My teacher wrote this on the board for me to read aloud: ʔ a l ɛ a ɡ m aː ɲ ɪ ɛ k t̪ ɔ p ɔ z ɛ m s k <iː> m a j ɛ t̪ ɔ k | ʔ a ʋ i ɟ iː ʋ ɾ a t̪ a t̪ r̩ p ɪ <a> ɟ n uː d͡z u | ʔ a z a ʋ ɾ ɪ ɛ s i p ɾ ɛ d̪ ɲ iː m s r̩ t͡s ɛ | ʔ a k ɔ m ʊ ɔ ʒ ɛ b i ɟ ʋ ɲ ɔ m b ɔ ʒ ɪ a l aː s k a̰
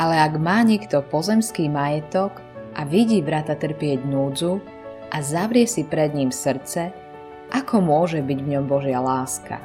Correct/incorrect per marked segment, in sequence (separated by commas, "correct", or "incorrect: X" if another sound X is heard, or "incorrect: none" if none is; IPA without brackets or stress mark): correct, incorrect: ɛ